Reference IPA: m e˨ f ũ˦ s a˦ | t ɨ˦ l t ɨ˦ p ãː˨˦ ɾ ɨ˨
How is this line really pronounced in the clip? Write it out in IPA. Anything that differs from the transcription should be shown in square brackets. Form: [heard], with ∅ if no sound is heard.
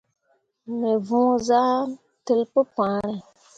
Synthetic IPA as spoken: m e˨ [v] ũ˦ [z] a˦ | t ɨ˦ l [p] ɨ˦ p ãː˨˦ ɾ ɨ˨